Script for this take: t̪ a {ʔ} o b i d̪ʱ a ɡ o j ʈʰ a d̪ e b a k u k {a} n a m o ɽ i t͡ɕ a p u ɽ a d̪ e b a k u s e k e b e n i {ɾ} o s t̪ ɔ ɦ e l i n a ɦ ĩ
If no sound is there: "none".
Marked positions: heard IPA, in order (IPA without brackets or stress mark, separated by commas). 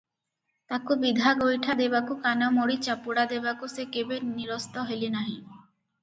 k, a, ɾ